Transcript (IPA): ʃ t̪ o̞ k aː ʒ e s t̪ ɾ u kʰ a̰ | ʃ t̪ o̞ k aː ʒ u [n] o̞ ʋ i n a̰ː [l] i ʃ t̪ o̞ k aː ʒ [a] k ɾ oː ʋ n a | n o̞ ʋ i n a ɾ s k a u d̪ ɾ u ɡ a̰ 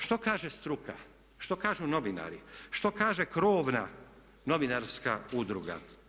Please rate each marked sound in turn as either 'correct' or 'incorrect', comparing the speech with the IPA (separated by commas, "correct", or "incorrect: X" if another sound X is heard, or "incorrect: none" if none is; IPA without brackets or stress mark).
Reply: correct, incorrect: ɾ, incorrect: e